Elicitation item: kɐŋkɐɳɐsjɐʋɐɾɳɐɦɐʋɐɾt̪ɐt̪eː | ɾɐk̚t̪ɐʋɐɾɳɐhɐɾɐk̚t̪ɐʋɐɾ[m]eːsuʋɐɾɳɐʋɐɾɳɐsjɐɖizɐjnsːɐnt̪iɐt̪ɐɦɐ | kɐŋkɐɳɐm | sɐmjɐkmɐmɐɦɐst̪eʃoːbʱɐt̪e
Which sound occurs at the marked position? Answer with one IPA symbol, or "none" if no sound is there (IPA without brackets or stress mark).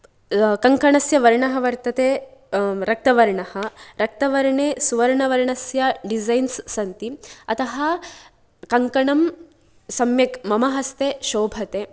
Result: ɳ